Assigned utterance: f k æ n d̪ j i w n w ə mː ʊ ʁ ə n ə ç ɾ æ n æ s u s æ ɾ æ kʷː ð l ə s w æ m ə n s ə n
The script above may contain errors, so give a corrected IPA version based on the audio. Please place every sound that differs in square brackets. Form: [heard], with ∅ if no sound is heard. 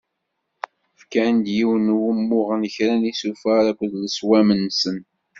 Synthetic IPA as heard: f k æ n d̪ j i w n w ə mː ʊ ʁ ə n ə ç ɾ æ n [i] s u [f] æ ɾ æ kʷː ð l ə s w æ m ə n s ə n